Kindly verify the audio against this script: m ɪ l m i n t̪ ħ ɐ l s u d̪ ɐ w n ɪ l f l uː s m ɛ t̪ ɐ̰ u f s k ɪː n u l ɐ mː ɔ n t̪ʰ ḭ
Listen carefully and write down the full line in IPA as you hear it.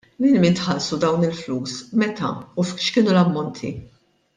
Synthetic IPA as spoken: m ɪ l m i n t̪ ħ ɐ l s u d̪ ɐ w n ɪ l f l uː s m ɛ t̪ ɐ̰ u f ʃ k ɪː n u l ɐ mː ɔ n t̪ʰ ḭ